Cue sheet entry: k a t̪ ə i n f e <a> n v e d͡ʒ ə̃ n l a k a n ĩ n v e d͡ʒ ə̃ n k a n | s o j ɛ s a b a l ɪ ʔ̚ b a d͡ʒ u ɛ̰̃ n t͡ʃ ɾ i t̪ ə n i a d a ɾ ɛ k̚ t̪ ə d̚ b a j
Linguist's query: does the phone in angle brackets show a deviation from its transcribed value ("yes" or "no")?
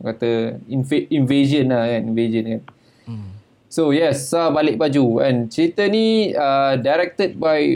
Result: yes